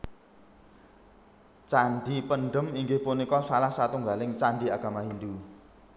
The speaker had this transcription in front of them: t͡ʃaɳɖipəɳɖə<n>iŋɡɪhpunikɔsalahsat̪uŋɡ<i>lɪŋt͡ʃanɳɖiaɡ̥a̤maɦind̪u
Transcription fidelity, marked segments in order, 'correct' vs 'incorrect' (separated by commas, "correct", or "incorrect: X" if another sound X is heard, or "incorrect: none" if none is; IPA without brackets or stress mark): incorrect: m, incorrect: a